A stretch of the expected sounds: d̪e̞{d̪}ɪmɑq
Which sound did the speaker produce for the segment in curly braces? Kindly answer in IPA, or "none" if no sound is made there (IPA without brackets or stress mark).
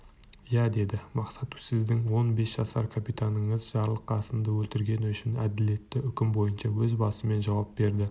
d̪